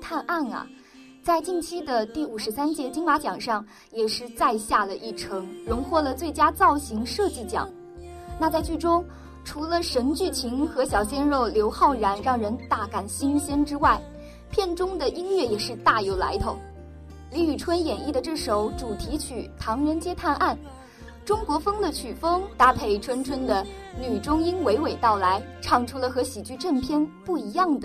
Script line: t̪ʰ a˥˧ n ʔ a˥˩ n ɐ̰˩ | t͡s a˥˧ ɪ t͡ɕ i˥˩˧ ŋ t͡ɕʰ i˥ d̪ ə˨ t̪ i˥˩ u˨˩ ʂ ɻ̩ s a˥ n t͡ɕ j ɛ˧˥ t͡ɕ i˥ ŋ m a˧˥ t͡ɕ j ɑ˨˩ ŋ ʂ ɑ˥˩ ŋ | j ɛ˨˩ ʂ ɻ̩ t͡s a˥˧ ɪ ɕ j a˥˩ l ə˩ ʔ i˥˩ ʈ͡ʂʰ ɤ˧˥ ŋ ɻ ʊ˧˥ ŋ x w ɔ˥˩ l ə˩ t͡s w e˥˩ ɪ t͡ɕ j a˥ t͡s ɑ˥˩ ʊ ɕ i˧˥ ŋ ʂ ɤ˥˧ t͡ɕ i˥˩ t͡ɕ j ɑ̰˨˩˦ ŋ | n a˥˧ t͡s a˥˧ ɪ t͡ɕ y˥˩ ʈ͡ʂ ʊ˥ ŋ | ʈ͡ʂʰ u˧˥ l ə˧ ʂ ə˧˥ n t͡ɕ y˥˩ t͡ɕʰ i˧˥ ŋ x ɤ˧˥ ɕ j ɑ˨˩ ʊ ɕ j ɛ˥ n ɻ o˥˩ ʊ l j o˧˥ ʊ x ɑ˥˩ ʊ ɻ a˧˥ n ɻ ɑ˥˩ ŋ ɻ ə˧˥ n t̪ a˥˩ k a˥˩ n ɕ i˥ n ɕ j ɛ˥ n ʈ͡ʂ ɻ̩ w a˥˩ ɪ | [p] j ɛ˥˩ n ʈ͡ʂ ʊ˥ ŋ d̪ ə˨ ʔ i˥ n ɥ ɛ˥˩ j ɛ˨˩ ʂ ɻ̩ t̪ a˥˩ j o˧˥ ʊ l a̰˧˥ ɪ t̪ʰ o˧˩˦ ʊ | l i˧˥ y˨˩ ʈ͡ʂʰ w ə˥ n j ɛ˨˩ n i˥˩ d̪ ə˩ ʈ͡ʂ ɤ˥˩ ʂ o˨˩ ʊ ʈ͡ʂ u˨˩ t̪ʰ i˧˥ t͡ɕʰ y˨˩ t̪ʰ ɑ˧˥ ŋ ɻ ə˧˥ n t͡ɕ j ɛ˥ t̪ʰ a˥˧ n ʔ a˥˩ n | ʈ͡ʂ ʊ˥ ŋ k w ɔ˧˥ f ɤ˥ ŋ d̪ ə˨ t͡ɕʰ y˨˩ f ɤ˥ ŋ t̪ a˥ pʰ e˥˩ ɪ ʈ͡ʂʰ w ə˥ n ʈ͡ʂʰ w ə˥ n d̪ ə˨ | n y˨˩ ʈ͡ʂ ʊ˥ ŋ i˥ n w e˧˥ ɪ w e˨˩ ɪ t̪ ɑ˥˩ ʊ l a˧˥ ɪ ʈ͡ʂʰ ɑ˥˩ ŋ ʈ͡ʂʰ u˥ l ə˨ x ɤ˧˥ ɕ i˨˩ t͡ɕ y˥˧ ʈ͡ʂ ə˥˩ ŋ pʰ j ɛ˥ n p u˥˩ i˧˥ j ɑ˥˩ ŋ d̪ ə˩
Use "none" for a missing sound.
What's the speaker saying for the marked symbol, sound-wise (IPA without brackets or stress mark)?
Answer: pʰ